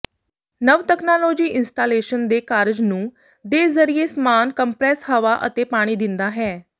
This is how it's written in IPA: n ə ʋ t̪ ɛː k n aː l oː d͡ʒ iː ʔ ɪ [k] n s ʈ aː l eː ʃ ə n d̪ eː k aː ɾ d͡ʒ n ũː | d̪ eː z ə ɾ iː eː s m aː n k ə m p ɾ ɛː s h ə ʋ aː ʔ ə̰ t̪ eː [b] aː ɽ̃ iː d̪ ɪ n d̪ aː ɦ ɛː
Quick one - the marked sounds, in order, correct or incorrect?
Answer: incorrect, incorrect

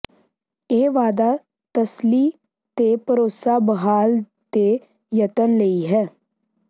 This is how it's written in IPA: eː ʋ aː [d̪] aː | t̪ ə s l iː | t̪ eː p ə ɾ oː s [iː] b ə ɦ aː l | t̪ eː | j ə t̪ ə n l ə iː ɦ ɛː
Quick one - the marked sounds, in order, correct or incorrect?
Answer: correct, incorrect

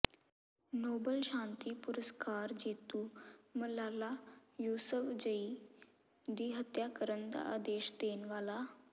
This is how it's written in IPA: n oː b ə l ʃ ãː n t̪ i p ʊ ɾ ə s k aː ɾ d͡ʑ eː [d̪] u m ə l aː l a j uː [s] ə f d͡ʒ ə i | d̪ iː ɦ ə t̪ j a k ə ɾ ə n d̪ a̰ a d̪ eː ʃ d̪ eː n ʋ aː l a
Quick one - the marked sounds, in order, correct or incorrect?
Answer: incorrect, correct

